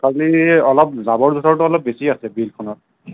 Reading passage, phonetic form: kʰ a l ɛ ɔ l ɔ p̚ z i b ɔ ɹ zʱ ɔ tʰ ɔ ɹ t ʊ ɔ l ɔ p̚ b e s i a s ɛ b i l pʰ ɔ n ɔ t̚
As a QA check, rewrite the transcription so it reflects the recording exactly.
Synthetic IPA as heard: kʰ a l i ɔ l ɔ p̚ z a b ɔ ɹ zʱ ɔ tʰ ɔ ɹ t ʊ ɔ l ɔ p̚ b e s i a s ɛ b i l kʰ ɔ n ɔ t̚